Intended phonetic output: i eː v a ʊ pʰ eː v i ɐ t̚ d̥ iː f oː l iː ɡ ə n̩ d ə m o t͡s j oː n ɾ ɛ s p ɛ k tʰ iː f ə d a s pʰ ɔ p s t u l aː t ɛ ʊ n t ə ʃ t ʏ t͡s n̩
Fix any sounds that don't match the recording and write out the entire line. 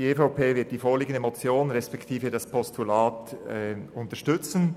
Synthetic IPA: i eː f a ʊ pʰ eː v ɪ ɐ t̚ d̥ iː f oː l iː ɡ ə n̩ d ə m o t͡s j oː n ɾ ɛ s p ɛ k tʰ iː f ə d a s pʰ ɔ s t u l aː t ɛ ʊ n t ə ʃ t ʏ t͡s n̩